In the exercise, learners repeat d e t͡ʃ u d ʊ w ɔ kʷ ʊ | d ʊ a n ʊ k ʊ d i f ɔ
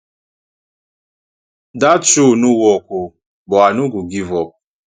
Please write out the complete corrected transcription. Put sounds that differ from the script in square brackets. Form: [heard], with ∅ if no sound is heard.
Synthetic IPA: d [a] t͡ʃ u [n] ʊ w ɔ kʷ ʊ | [b] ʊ a n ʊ [ɡ] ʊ [ɡ] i [v] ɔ